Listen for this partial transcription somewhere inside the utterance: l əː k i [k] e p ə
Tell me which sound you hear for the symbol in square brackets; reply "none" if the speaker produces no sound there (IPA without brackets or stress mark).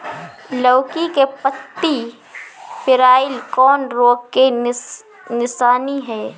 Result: k